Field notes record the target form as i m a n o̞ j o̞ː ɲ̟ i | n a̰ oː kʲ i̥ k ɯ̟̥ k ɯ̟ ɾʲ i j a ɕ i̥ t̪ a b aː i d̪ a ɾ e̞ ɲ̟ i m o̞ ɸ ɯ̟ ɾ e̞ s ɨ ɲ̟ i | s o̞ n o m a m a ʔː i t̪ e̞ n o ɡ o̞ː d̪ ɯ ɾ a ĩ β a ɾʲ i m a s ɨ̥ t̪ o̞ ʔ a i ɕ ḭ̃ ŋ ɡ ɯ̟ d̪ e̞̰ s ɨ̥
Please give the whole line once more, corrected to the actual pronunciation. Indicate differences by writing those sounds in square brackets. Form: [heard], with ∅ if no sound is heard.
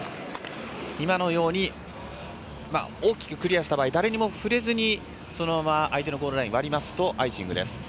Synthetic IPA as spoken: i m a n o̞ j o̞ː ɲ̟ i | [m] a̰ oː kʲ i̥ k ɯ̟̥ k ɯ̟ ɾʲ i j a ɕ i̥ t̪ a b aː i d̪ a ɾ e̞ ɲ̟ i m o̞ ɸ ɯ̟ ɾ e̞ [z] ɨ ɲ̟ i | s o̞ n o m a m a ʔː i t̪ e̞ n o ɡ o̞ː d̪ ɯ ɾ a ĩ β a ɾʲ i m a s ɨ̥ t̪ o̞ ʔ a i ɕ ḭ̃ ŋ ɡ ɯ̟ d̪ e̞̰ s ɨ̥